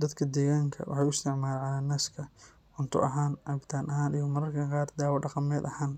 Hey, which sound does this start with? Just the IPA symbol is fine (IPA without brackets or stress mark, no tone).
d̪